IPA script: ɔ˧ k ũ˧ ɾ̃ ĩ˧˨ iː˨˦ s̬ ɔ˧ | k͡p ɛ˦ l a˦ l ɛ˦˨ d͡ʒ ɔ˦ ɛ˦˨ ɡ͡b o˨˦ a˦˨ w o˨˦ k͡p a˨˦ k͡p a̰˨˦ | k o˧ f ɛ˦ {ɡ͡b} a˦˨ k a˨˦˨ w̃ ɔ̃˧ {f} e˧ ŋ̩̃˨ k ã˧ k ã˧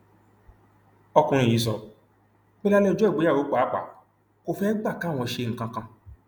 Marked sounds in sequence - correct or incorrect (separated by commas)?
correct, incorrect